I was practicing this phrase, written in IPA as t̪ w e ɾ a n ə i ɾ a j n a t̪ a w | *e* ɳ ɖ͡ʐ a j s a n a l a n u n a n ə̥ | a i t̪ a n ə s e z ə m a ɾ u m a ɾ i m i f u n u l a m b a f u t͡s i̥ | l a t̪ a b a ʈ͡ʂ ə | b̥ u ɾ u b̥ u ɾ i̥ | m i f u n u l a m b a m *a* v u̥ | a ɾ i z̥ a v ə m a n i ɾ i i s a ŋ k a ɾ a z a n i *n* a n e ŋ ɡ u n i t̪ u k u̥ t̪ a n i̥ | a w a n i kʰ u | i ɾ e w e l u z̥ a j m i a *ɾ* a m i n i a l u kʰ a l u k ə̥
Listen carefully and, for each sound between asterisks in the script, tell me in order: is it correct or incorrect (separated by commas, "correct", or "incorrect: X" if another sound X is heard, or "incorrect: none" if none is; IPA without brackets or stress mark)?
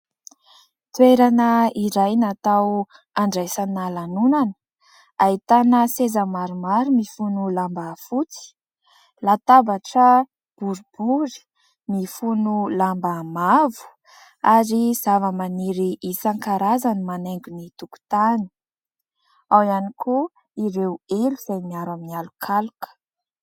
incorrect: a, correct, incorrect: m, correct